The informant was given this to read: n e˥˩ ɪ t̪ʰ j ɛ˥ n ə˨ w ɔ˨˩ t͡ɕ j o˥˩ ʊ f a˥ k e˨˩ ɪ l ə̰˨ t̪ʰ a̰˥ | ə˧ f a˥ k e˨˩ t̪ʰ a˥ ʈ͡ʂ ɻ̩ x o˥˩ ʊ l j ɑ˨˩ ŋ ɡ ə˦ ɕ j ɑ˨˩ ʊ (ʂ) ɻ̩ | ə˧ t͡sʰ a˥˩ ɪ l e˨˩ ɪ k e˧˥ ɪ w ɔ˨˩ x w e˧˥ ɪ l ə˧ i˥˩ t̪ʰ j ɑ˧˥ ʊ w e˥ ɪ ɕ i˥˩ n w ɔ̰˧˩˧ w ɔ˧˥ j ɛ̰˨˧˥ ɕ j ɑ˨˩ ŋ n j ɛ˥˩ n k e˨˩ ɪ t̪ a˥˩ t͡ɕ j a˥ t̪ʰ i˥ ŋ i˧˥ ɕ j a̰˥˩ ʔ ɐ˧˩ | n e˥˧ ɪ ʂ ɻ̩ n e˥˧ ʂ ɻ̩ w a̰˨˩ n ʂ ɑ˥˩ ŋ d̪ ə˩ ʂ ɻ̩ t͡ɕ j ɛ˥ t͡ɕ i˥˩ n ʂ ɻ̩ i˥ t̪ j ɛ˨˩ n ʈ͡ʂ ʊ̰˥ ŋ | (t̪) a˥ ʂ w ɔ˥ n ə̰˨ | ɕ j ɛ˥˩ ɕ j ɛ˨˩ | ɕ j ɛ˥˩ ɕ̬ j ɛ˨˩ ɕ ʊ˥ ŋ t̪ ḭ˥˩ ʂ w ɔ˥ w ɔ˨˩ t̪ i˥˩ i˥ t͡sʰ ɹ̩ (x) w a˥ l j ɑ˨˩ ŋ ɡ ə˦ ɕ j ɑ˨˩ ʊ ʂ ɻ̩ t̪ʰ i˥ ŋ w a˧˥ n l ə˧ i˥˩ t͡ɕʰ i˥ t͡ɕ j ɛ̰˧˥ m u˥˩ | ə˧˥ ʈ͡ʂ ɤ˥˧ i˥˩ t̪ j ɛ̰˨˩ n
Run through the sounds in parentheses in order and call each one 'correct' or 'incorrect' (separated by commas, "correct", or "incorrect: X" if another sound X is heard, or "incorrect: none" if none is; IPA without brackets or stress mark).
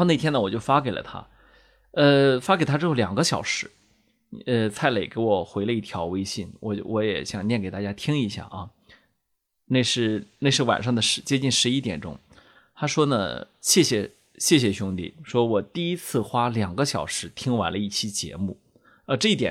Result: correct, incorrect: t̪ʰ, correct